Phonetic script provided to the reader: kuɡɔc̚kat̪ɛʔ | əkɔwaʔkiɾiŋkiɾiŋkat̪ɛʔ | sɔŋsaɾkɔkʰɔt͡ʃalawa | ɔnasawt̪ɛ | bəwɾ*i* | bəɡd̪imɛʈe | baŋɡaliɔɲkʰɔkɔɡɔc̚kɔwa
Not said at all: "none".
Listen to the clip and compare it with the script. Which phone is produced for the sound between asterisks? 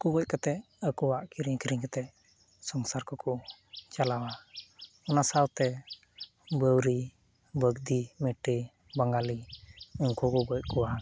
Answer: i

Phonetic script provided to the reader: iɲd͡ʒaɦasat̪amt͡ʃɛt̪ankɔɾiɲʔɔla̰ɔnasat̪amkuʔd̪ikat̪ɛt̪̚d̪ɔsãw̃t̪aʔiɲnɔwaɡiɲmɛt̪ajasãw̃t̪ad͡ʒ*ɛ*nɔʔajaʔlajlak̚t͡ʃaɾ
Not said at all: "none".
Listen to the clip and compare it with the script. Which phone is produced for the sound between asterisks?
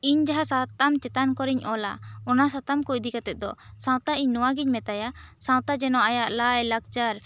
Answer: ɛ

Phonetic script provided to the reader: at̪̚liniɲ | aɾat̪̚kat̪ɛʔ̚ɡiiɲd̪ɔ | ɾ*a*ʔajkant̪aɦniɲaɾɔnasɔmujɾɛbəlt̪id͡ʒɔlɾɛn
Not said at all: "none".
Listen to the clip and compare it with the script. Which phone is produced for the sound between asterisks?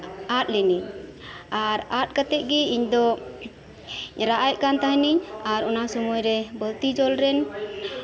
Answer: a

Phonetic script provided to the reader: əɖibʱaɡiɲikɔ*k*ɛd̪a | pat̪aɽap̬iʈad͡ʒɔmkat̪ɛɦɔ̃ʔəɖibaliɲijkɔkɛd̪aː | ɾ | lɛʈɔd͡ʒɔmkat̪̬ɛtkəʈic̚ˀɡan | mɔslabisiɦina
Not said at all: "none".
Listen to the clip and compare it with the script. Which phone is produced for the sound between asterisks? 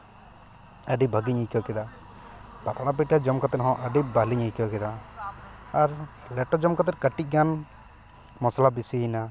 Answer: k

